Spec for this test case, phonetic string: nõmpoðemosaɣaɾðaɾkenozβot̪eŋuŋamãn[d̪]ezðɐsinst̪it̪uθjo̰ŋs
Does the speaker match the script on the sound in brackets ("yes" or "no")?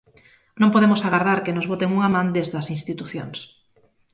yes